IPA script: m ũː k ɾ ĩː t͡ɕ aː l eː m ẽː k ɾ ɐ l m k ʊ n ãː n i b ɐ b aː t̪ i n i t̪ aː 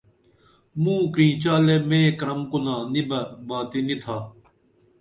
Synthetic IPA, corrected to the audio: m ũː k ɾ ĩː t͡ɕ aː l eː m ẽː k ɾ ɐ m k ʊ n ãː n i b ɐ b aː t̪ i n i t̪ʰ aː